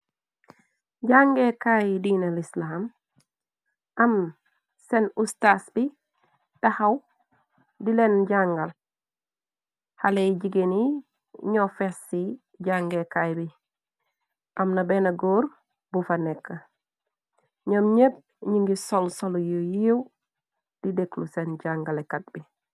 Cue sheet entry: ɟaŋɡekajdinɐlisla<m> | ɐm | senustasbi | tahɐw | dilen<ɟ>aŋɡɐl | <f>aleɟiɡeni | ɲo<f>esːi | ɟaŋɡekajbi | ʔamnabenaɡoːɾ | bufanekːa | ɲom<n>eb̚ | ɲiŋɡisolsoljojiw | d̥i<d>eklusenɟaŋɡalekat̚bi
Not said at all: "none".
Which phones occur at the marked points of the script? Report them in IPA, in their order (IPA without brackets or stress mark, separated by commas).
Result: m, ɟ, h, f, ɲ, d